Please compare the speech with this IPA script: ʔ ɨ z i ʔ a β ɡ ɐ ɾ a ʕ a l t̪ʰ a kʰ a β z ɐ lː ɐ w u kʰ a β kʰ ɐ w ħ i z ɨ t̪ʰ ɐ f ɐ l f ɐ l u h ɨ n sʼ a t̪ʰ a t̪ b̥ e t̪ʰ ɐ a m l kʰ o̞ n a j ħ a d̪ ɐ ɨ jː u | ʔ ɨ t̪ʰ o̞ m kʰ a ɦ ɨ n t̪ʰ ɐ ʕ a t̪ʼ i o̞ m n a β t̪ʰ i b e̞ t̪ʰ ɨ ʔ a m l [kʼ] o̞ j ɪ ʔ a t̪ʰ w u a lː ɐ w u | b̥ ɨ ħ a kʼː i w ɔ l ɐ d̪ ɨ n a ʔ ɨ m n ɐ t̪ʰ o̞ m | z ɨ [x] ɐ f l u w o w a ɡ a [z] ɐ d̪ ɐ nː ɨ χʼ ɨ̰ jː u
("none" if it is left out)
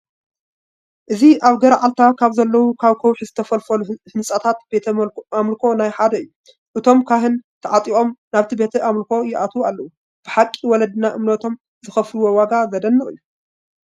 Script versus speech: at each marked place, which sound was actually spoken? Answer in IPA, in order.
k, x, z

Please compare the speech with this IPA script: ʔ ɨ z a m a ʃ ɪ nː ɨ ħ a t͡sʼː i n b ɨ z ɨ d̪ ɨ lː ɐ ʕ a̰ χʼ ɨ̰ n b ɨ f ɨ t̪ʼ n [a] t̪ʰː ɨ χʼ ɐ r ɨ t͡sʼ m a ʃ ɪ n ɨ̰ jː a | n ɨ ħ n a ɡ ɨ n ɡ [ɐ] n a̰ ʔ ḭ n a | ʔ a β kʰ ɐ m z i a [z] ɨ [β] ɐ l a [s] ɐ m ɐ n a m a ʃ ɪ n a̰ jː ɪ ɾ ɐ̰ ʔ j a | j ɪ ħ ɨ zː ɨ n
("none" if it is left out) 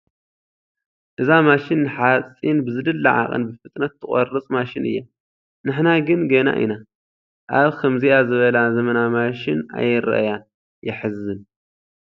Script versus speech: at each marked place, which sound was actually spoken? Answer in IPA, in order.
ɐ, ɐ, z, β, z

